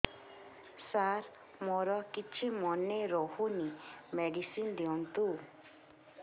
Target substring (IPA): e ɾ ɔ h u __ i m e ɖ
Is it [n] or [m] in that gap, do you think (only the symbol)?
n